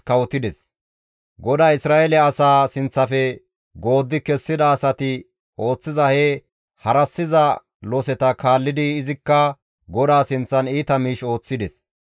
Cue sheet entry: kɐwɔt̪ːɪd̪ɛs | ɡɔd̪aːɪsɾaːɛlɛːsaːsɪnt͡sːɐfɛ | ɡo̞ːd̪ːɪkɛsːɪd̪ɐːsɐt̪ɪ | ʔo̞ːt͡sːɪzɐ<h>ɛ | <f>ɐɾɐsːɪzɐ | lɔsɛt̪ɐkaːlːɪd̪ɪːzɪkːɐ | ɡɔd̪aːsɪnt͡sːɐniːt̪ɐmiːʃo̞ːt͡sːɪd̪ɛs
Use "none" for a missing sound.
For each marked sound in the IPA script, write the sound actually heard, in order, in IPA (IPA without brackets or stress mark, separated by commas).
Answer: h, h